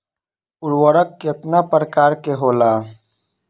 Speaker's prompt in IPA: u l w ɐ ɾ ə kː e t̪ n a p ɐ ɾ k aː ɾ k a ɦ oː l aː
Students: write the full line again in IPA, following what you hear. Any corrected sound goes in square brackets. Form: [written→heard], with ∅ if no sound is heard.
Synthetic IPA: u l w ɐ ɾ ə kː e t̪ n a p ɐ ɾ k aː ɾ k [a→e] ɦ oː l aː

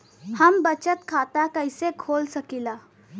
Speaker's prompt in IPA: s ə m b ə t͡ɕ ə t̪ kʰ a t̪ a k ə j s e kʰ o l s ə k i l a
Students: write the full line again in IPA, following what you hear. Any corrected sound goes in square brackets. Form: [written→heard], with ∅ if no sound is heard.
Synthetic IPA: [s→h] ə m b ə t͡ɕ ə t̪ kʰ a t̪ a k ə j s e kʰ o l s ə k i l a

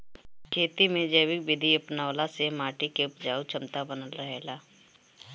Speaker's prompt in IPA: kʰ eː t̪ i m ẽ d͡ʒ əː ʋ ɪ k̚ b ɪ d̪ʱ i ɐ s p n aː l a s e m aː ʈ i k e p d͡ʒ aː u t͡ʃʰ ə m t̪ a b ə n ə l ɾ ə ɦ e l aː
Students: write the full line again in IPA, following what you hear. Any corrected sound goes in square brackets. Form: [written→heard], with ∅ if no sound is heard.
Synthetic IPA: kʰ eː t̪ i m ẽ d͡ʒ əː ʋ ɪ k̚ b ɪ d̪ʱ i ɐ [s→∅] p n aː l a s e m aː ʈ i k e p d͡ʒ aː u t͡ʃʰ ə m t̪ a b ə n ə l ɾ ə ɦ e l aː

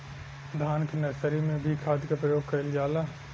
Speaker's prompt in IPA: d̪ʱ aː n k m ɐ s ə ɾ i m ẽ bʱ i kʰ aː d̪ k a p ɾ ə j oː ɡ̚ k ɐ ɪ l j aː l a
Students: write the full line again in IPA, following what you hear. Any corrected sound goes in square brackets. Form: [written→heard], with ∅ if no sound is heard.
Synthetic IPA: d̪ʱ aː n k [m→n] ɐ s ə ɾ i m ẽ bʱ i kʰ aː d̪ k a p ɾ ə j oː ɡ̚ k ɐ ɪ l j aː l a

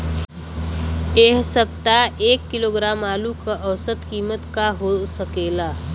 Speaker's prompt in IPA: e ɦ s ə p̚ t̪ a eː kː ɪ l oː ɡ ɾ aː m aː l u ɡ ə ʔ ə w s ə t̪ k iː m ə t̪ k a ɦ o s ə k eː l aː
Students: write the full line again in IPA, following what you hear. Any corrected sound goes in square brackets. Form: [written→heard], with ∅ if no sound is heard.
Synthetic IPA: e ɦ s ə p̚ t̪ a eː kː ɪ l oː ɡ ɾ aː m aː l u [ɡ→k] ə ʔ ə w s ə t̪ k iː m ə t̪ k a ɦ o s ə k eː l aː

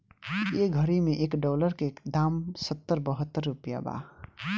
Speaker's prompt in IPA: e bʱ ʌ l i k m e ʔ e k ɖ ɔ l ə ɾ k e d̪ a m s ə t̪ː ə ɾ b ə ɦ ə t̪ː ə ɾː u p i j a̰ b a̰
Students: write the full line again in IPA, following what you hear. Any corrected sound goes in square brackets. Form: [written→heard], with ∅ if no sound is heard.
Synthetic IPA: e [bʱ→ɡʱ] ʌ [l→ɾ] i [k→∅] m e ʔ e k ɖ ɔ l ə ɾ k e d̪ a m s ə t̪ː ə ɾ b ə ɦ ə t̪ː ə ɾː u p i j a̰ b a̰

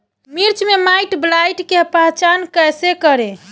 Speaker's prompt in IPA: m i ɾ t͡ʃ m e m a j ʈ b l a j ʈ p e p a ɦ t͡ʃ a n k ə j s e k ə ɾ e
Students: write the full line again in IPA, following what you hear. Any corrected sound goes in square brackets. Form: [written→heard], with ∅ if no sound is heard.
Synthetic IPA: m i ɾ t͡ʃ m e m a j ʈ b l a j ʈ [p→k] e p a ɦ t͡ʃ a n k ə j s e k ə ɾ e

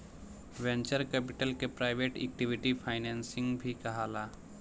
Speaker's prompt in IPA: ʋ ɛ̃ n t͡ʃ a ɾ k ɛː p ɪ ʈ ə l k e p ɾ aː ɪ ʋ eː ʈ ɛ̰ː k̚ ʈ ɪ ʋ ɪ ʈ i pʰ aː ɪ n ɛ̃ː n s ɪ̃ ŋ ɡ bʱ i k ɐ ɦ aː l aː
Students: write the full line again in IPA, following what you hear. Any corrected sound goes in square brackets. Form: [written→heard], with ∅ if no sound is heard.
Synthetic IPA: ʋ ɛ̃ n t͡ʃ [a→ə] ɾ k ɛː p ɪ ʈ ə l k e p ɾ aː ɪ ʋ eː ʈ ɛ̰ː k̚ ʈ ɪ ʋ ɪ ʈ i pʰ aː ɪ n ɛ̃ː n s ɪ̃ ŋ ɡ bʱ i k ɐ ɦ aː l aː

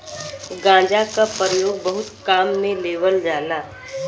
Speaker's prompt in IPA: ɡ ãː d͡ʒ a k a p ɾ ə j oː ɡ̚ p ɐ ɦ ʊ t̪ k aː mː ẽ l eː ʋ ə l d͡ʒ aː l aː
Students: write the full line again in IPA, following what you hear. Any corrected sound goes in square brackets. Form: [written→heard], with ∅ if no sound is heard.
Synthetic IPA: ɡ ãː d͡ʒ a k a p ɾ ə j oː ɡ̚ [p→b] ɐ ɦ ʊ t̪ k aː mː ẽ l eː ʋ ə l d͡ʒ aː l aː

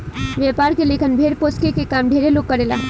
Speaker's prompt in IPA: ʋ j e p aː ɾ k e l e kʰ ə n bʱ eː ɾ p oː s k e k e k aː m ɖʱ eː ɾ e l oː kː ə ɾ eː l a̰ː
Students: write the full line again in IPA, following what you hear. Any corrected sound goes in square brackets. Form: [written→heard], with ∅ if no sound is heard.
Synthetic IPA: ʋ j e p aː ɾ k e l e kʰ ə n bʱ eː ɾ p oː s k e k e k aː m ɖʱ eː ɾ e l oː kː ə ɾ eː l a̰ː

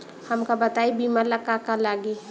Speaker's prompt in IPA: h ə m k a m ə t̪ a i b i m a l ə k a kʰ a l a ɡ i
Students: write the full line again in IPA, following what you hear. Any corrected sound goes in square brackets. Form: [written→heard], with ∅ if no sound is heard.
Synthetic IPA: h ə m k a [m→b] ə t̪ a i b i m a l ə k a [kʰ→k] a l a ɡ i

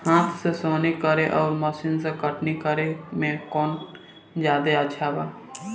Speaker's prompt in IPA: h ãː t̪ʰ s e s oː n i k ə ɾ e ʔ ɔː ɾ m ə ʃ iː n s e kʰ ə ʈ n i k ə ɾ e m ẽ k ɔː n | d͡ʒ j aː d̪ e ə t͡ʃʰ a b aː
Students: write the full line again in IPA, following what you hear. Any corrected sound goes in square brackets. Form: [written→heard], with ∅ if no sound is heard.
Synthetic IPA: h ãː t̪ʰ s e s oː n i k ə ɾ e ʔ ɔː ɾ m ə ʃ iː n s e [kʰ→k] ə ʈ n i k ə ɾ e m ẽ k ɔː n | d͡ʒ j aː d̪ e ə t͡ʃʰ a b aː

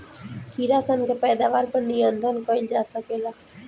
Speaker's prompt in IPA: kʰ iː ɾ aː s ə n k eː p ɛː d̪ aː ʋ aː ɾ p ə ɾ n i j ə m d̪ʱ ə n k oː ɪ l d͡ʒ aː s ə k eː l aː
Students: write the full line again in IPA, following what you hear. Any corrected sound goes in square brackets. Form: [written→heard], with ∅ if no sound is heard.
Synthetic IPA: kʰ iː ɾ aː s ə n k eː p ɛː d̪ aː ʋ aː ɾ p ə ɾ n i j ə [m→n] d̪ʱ ə n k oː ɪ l d͡ʒ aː s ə k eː l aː

